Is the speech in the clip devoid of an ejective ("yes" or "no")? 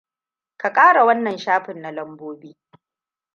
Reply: no